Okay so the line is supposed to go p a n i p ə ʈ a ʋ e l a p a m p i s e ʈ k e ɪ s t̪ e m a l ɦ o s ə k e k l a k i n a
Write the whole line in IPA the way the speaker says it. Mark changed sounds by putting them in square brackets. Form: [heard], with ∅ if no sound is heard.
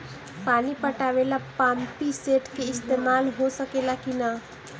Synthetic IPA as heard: p a n i p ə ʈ a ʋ e l a p a m p i s e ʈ k e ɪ s t̪ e m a l ɦ o s ə k e [∅] l a k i n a

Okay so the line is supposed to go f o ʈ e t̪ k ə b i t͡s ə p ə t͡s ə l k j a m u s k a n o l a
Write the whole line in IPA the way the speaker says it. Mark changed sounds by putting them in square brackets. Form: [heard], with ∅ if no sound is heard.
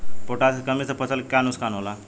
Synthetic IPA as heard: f o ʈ [a] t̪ k ə [m] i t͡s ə p ə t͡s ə l k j a [n] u s k a n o l a

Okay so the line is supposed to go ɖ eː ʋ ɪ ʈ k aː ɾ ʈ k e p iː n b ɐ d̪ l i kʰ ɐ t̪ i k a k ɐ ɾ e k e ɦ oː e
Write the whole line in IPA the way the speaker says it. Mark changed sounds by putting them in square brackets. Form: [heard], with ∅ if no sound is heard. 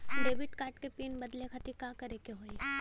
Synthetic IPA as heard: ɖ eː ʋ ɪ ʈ k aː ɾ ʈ k e p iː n b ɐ d̪ l [e] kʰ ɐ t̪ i k a k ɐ ɾ e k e ɦ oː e

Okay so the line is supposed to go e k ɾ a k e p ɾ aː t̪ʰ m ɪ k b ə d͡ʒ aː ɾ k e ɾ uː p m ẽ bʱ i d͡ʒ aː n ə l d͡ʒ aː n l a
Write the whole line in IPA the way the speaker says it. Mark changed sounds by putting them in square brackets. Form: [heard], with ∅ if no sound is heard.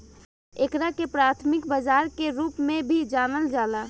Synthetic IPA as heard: e k ɾ a k e p ɾ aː t̪ʰ m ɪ k b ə d͡ʒ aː ɾ k e ɾ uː p m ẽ bʱ i d͡ʒ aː n ə l d͡ʒ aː [∅] l a

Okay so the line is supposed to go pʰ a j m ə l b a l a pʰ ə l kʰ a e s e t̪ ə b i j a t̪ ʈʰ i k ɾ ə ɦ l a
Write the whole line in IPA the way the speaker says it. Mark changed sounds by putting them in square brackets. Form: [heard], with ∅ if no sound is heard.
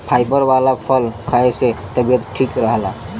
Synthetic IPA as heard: pʰ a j [b] ə [ɾ] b a l a pʰ ə l kʰ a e s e t̪ ə b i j [ə] t̪ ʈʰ i k ɾ ə ɦ l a

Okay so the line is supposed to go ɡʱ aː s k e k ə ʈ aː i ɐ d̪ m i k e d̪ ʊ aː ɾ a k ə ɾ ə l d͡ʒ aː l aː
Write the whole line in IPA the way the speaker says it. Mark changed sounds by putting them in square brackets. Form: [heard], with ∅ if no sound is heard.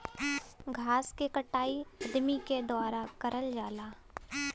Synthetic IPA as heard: ɡʱ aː s k e k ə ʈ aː i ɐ d̪ m i k e d̪ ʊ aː ɾ a k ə ɾ ə l d͡ʒ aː l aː

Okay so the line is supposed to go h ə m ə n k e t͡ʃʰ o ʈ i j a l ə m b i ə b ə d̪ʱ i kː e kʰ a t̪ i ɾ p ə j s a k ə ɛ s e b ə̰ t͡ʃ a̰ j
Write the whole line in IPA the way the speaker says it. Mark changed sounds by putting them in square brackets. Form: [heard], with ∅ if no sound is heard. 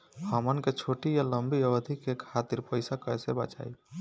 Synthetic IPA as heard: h ə m ə n k e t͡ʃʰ o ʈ i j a l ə m b i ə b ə d̪ʱ i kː e kʰ a t̪ i ɾ p ə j s a k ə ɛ s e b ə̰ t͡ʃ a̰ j

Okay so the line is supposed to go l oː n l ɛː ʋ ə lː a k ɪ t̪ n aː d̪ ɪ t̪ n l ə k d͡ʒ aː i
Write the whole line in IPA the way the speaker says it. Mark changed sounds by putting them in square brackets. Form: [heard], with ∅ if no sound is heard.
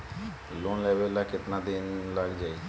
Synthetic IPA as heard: l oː n l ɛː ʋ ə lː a k ɪ t̪ n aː d̪ ɪ [∅] n l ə [ɡ] d͡ʒ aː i

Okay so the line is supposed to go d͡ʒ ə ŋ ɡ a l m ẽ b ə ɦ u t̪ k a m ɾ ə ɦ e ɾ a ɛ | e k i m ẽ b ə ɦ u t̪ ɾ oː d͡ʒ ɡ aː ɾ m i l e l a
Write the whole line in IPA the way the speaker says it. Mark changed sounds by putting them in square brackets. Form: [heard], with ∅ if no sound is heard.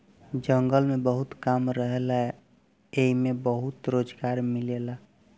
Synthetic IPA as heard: d͡ʒ ə ŋ ɡ [ə] l m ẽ b ə ɦ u t̪ k a m ɾ ə ɦ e [l] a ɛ | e [∅] i m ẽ b ə ɦ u t̪ ɾ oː d͡ʒ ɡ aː ɾ m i l e l a

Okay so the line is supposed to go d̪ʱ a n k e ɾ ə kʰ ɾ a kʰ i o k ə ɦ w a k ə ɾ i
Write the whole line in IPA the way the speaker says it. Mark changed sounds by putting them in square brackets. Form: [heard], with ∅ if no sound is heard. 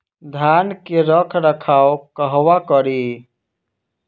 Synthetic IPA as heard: d̪ʱ a n k e ɾ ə kʰ ɾ [ə] kʰ [a] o k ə ɦ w a k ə ɾ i

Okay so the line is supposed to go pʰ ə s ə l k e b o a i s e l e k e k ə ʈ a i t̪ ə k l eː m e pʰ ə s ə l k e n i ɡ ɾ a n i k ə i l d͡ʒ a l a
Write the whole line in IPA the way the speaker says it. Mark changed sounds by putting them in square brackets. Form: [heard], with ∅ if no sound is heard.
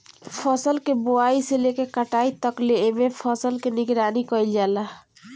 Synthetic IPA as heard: pʰ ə s ə l k e b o a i s e l e k e k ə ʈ a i t̪ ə k l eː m e pʰ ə s ə l k e n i ɡ ɾ a n i k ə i l d͡ʒ a l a

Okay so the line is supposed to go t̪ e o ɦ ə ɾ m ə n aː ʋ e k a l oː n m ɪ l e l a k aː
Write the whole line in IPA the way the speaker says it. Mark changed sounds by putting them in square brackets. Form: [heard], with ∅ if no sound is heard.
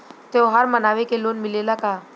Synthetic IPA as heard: t̪ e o ɦ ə ɾ m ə n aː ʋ e k [e] l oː n m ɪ l e l a k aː

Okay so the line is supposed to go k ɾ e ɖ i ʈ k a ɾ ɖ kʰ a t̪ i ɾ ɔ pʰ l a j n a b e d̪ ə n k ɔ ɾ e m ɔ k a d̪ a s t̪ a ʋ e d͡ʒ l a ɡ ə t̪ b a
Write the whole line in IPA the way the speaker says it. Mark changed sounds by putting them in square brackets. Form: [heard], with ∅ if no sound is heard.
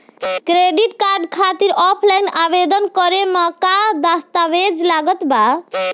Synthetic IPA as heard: k ɾ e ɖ i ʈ k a ɾ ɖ kʰ a t̪ i ɾ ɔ pʰ l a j n a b e d̪ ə n k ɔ ɾ e m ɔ k a d̪ a s t̪ a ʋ e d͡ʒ l a ɡ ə t̪ b a

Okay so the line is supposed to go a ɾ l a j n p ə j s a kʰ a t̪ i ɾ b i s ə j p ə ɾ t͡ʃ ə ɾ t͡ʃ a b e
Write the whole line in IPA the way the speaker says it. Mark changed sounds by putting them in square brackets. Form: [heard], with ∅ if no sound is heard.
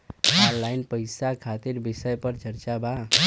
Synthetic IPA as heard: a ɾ l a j n p ə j s a kʰ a t̪ i ɾ b i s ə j p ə ɾ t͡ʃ ə ɾ t͡ʃ a b [a]

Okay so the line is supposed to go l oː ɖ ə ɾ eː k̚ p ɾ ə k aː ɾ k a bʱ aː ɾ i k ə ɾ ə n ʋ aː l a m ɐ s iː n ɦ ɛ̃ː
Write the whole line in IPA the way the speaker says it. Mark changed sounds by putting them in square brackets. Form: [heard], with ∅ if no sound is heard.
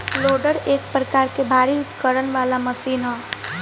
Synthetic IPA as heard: l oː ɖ ə ɾ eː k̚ p ɾ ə k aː ɾ k [e] bʱ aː ɾ i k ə ɾ ə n ʋ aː l a m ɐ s iː n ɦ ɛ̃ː

